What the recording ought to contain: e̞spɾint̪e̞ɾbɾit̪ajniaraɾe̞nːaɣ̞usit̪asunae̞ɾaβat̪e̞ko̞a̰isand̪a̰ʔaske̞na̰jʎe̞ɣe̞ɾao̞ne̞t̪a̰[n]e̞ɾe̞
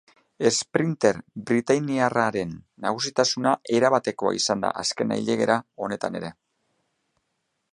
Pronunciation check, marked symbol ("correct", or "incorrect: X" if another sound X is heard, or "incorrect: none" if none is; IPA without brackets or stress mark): correct